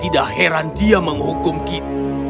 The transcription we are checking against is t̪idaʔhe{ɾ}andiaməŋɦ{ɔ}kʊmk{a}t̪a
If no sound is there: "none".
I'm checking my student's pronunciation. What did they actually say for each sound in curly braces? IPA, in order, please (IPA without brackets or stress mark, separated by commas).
ɾ, u, i